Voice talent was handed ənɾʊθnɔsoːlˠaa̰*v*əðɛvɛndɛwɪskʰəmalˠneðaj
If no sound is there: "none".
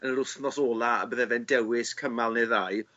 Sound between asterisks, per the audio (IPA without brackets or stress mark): b